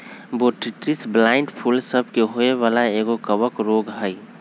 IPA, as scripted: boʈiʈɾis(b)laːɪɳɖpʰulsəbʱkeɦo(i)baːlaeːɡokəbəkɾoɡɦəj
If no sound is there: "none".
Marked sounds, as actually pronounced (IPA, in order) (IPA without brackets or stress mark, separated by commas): b, e